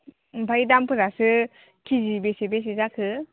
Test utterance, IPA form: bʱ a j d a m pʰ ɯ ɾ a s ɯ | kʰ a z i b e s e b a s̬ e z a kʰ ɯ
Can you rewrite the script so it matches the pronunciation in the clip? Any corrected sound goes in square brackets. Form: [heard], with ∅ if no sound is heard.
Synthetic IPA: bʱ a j d a m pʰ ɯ ɾ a s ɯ | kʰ [i] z i b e s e b [e] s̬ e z a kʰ ɯ